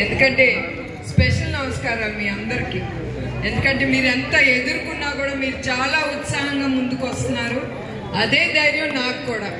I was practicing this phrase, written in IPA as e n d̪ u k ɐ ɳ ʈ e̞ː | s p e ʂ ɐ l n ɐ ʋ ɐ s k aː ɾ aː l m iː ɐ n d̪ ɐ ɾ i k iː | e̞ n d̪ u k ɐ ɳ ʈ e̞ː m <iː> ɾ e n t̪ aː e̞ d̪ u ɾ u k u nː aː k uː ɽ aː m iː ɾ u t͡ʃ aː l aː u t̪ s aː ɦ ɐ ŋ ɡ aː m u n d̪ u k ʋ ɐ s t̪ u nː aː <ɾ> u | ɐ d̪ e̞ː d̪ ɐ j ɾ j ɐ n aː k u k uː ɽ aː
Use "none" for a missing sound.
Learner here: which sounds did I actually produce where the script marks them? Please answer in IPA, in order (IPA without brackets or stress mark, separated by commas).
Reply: iː, ɾ